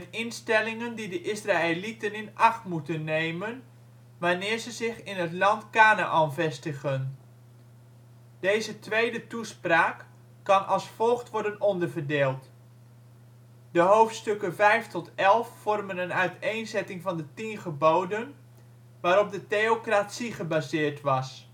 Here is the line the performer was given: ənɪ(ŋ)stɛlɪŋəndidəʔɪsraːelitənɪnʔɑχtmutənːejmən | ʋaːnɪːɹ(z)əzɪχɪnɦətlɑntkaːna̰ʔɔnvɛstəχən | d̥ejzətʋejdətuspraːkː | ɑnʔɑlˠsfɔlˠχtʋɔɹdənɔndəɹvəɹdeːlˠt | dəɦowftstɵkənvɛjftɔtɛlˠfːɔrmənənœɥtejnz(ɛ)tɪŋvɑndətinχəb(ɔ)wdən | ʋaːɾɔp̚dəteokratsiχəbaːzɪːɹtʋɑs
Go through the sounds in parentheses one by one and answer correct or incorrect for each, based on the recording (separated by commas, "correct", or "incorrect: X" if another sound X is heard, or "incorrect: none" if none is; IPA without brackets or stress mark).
incorrect: n, correct, correct, incorrect: o